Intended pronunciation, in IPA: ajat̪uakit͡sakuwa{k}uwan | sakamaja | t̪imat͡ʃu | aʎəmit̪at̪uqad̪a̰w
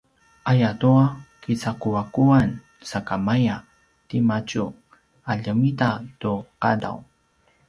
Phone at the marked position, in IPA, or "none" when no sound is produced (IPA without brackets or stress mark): k